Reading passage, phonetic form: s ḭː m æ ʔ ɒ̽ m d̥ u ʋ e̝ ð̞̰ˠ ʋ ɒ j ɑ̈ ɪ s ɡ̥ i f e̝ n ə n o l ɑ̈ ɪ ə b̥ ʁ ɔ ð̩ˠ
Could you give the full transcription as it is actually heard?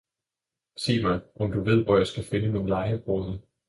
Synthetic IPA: s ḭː m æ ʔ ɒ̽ m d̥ u ʋ e̝ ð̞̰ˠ ʋ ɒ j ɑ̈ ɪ s ɡ̥ æ f e̝ n ə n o l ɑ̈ ɪ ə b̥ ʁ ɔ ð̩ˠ